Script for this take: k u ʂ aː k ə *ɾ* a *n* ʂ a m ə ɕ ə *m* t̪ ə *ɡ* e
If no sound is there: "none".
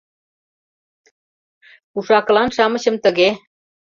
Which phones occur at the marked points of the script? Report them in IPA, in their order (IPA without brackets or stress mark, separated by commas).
l, n, m, ɡ